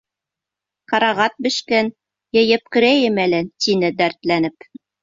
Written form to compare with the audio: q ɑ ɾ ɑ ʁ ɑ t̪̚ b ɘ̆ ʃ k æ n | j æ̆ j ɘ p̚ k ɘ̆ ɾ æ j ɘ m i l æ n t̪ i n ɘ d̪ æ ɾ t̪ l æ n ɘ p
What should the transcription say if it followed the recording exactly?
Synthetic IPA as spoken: q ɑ ɾ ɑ ʁ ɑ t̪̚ b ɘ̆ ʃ k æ n | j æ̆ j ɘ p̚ k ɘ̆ ɾ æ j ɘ m æ l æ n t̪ i n ɘ d̪ æ ɾ t̪ l æ n ɘ p